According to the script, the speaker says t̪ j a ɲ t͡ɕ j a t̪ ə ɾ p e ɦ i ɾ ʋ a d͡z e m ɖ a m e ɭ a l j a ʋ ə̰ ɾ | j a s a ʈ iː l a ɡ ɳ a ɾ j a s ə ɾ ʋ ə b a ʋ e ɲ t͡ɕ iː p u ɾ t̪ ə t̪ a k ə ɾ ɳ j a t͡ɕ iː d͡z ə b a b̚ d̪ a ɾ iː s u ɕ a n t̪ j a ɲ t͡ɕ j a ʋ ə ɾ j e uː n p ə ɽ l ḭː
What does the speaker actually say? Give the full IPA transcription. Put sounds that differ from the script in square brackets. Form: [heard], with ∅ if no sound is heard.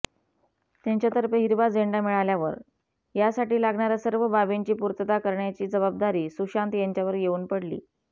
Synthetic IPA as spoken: t̪ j a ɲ t͡ɕ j a t̪ ə ɾ p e ɦ i ɾ ʋ a d͡z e [ɳ] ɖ a m [i] ɭ a l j a ʋ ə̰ ɾ | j a s a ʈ iː l a ɡ ɳ a ɾ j a s ə ɾ ʋ ə b a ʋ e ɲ t͡ɕ iː p u ɾ t̪ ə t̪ a k ə ɾ ɳ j a t͡ɕ iː d͡z ə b a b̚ d̪ a ɾ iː s u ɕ a n t̪ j a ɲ t͡ɕ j a ʋ ə ɾ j e uː n p ə ɽ l ḭː